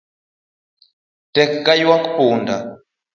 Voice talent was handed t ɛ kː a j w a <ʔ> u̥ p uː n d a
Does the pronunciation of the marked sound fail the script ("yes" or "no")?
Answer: yes